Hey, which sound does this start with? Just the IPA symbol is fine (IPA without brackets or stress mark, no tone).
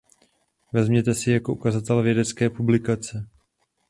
v